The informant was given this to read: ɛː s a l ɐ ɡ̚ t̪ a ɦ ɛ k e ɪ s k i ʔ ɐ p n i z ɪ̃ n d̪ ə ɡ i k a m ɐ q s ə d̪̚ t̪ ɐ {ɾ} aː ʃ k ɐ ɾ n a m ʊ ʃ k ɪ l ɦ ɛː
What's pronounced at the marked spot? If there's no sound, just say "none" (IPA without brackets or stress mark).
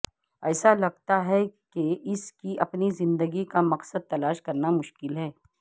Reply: l